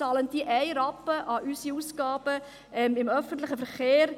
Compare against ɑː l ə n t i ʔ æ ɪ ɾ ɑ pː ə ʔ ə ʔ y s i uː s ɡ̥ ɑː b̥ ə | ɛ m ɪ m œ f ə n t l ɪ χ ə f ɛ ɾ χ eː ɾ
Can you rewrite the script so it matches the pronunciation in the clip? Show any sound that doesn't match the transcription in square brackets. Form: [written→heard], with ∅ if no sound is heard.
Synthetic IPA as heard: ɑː l ə n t i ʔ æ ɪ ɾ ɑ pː ə ʔ [ə→ɑ] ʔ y s i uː s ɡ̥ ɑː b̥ ə | ɛ m ɪ m œ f ə n t l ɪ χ ə f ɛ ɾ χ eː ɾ

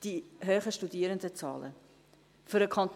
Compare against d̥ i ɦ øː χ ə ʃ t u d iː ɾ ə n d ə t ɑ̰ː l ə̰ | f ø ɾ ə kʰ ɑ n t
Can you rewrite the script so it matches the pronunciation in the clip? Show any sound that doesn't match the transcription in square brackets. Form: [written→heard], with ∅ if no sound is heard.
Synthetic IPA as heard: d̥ i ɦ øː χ ə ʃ t u d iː ɾ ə n d ə [t→t͡s] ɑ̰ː l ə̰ | f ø ɾ ə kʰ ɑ n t

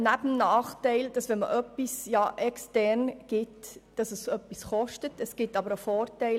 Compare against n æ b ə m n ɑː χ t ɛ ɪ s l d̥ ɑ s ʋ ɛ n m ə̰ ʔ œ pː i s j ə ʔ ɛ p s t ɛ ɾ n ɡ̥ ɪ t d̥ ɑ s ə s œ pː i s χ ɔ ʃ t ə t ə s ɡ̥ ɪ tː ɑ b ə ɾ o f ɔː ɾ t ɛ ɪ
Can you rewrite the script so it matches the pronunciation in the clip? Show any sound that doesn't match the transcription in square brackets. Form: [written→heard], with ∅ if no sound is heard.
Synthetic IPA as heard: n æ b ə m n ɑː χ t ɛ ɪ [s→∅] l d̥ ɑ s ʋ ɛ n m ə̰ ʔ œ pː i s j [ə→ɑ] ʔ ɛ [p→k] s t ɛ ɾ n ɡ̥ ɪ t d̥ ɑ s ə s œ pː i s χ ɔ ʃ t ə t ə s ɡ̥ ɪ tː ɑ b ə ɾ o f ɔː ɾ t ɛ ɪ

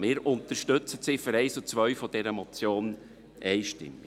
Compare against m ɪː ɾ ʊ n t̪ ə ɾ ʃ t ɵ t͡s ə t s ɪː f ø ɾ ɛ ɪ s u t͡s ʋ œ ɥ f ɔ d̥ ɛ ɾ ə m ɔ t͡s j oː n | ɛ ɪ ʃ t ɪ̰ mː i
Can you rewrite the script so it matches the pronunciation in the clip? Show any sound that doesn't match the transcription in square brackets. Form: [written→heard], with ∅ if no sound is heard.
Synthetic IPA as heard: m ɪː ɾ ʊ n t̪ ə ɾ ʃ t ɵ t͡s ə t s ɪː f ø ɾ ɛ ɪ s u t͡s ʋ œ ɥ f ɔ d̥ ɛ ɾ ə m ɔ t͡s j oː n | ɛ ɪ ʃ t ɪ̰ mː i

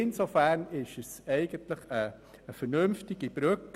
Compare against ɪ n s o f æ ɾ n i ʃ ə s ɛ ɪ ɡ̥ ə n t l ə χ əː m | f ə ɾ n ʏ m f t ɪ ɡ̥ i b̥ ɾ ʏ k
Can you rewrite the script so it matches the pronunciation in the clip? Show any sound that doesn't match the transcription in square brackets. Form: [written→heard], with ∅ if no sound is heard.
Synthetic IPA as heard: ɪ n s o f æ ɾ n [i→ɪ] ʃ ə s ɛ ɪ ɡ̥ ə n t l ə χ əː [m→∅] | f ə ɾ n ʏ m f t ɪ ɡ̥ i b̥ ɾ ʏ k

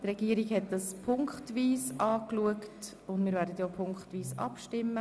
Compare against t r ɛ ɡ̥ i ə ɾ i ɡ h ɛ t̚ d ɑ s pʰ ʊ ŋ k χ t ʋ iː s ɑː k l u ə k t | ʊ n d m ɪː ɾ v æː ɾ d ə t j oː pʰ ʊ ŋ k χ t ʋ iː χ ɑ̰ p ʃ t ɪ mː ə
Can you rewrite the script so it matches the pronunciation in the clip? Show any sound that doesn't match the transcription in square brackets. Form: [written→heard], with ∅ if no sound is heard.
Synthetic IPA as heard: t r ɛ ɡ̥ i ə ɾ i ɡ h ɛ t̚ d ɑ s pʰ ʊ ŋ k χ t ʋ iː s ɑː k l u ə k t | ʊ n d m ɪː ɾ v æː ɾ d ə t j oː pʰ ʊ ŋ k χ t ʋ iː [χ→s] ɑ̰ p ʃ t ɪ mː ə

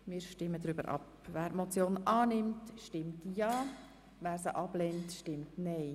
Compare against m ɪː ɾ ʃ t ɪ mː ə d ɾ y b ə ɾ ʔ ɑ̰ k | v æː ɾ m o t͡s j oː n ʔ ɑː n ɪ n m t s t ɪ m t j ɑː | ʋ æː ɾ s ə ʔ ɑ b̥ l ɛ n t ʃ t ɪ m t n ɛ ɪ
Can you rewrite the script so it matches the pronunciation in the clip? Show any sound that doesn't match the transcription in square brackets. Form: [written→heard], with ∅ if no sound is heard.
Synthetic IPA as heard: m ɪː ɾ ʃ t ɪ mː ə d ɾ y b ə ɾ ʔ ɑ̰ [k→p] | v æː ɾ m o t͡s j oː n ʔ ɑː n ɪ [n→∅] m t [s→ʃ] t ɪ m t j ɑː | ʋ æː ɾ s ə ʔ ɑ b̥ l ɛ n t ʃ t ɪ m t n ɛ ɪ

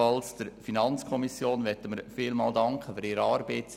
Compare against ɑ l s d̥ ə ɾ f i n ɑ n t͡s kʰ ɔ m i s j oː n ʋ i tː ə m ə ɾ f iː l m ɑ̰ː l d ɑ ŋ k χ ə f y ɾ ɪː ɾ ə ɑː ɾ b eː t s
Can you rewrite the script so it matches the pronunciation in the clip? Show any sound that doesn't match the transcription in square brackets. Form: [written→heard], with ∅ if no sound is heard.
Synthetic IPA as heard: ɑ l s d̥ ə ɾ f i n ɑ n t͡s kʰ ɔ m i s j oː n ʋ [i→ɛ] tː ə m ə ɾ f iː l m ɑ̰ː l d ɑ ŋ k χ ə f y ɾ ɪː ɾ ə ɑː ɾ b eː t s

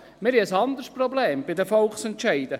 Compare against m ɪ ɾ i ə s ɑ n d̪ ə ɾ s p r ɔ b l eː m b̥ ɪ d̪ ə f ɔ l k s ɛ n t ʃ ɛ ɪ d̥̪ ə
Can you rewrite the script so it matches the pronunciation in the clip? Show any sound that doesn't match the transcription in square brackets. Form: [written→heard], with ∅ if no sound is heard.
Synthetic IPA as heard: m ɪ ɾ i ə s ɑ n d̪ ə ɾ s p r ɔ b l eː m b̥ ɪ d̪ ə f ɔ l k s ɛ n t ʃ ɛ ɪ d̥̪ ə

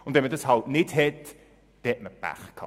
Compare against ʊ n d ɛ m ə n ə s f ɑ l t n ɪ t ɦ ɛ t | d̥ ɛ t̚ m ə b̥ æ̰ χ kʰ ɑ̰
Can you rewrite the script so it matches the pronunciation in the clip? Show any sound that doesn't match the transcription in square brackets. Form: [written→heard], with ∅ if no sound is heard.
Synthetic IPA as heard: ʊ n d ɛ m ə [n→d] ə s [f→h] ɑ l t n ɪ t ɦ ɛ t | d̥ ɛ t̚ m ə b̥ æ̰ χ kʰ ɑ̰

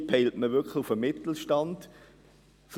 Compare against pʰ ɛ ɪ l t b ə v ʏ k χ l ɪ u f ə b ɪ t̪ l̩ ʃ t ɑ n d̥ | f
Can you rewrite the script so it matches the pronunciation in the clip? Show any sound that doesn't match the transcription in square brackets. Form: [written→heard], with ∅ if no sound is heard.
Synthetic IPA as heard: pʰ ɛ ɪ l t [b→m] ə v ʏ k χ l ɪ u f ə [b→m] ɪ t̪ l̩ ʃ t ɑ n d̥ | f

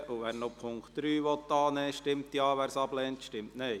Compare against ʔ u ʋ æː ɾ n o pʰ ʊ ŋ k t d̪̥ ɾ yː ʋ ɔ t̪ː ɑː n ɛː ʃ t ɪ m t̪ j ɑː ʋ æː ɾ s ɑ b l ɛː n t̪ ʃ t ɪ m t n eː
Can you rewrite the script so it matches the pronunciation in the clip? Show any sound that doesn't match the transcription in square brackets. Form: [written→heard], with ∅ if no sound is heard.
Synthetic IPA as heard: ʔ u ʋ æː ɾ n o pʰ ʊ ŋ k t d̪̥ ɾ yː ʋ ɔ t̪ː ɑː n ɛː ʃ t ɪ m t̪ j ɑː ʋ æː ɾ s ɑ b l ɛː n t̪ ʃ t ɪ m t n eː

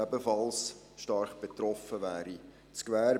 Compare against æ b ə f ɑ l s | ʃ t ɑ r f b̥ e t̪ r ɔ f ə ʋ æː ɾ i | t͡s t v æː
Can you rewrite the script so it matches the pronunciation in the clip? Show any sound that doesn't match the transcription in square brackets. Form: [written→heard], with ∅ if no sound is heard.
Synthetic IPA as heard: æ b ə f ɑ l s | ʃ t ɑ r [f→χ] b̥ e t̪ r ɔ f ə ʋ æː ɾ i | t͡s [t→k] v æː

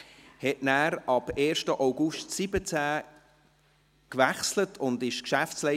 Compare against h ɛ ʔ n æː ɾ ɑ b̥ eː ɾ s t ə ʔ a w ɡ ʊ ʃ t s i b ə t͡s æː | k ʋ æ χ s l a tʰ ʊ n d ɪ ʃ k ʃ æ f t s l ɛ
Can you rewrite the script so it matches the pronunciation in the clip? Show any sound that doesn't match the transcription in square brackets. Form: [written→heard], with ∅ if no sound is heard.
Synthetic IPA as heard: h ɛ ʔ n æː ɾ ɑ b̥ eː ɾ [s→ʃ] t ə ʔ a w ɡ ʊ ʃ t s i b ə t͡s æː | k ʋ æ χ s l [a→ə] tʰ ʊ n d ɪ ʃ k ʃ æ f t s l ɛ

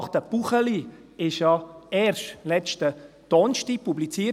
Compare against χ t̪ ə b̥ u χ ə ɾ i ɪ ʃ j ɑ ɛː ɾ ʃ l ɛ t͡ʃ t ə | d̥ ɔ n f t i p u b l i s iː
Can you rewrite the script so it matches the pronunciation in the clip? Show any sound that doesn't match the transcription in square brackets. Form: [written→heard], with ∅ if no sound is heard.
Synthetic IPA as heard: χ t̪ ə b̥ u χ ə [ɾ→l] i ɪ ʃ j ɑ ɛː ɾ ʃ l ɛ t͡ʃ t ə | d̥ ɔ n [f→ʃ] t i p u b l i [s→t͡s] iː

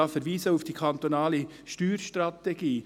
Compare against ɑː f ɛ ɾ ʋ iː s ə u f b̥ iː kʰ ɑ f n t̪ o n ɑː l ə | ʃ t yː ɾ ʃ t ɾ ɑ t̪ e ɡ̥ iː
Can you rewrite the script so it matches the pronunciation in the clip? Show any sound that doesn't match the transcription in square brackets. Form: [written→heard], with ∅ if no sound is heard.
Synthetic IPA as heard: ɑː f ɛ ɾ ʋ iː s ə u f [b̥→d̥] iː kʰ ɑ [f→∅] n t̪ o n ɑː l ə | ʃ t yː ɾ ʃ t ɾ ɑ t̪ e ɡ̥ iː

